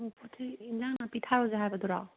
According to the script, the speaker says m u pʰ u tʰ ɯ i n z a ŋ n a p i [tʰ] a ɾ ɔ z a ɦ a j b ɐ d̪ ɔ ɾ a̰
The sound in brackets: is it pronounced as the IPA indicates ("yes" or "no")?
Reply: yes